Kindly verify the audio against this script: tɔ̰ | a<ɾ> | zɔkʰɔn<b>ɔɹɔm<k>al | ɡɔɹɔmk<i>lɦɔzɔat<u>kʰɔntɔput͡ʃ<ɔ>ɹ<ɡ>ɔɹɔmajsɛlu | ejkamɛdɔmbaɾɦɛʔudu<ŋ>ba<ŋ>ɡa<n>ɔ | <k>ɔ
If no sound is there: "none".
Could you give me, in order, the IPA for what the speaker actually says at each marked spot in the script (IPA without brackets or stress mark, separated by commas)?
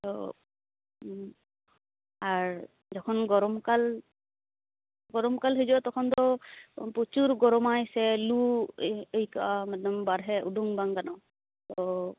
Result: ɹ, ɡ, k, a, ɔ, u, ɡ, ŋ, ŋ, n, t